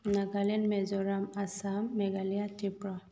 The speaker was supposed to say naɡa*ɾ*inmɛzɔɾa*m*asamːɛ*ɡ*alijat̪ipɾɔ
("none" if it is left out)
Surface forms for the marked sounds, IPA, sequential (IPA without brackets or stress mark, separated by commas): l, m, ɡ